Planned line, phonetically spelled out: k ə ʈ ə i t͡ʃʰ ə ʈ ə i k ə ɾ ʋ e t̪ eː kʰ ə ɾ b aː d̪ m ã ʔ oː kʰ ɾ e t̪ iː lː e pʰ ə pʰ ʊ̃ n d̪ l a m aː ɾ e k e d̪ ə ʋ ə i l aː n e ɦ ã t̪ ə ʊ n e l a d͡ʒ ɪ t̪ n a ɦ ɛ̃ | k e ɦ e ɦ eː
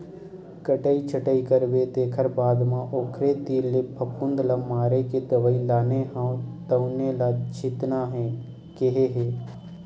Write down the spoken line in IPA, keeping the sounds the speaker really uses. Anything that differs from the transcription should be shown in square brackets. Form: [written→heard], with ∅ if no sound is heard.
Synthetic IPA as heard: k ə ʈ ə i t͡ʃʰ ə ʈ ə i k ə ɾ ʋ e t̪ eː kʰ ə ɾ b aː d̪ m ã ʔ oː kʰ ɾ e t̪ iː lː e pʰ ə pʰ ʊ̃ n d̪ l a m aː ɾ e k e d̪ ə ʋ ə i l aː n e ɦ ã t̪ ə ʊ n e l a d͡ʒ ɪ t̪ n a ɦ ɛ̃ | k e ɦ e ɦ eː